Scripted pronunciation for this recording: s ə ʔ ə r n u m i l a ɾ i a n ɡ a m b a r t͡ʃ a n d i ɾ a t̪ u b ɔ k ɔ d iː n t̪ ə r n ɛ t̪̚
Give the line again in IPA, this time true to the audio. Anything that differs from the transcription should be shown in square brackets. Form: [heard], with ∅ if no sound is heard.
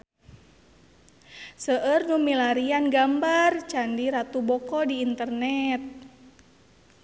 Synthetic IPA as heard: s ə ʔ ə r n u m i l a ɾ i a n ɡ a m b a r t͡ʃ a n d i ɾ a t̪ u b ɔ k ɔ d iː n t̪ ə r n ɛ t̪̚